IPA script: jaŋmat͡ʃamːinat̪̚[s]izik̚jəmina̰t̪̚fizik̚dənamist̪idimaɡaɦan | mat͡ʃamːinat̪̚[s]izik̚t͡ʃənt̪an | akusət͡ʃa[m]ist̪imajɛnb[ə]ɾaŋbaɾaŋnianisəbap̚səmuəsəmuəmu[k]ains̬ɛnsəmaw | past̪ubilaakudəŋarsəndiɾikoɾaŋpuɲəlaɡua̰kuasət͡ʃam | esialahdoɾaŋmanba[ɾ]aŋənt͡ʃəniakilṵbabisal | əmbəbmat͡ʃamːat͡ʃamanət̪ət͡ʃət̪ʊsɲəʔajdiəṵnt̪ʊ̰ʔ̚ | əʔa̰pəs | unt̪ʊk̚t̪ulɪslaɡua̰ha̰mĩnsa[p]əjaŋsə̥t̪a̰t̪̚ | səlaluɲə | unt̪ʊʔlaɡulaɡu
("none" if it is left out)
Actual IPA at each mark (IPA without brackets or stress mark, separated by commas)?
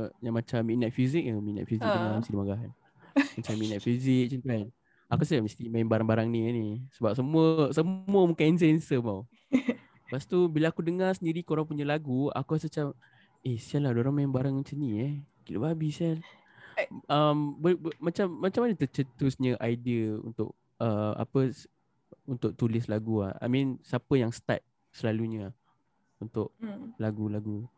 f, f, m, a, k, ɾ, p